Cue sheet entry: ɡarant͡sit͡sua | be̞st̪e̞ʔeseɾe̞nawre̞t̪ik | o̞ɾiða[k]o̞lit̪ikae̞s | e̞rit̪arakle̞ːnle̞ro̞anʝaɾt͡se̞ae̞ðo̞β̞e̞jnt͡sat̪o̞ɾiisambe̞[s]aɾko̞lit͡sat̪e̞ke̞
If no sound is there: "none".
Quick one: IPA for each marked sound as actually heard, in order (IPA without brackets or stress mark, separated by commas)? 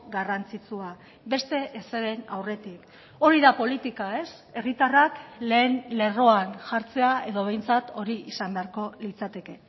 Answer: p, none